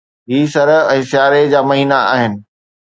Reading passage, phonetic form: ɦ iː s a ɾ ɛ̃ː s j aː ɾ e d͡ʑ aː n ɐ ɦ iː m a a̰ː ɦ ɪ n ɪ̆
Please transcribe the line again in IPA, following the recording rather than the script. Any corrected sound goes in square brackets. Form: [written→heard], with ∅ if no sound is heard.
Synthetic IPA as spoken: ɦ iː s [a→ɐ] ɾ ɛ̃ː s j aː ɾ e d͡ʑ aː [n→m] ɐ ɦ iː [m→n] a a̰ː ɦ ɪ n ɪ̆